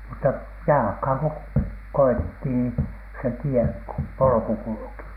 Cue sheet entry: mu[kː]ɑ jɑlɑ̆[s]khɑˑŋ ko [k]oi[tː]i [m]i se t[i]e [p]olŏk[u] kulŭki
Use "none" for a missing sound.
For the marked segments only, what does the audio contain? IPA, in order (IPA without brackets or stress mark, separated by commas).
tː, none, k, tː, n, i, p, u